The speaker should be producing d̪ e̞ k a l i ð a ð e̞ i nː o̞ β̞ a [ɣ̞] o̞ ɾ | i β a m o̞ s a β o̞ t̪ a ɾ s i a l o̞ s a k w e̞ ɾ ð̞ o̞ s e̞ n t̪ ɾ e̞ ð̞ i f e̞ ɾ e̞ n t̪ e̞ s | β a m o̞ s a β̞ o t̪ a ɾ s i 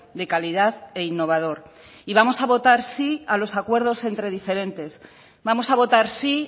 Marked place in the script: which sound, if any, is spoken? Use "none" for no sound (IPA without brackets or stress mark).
ð̞